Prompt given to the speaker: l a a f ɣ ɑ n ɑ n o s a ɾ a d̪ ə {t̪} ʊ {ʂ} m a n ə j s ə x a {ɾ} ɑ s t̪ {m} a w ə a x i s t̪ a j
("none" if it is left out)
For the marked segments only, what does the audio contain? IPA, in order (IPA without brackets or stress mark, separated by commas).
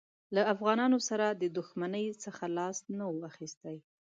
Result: d̪, x, l, n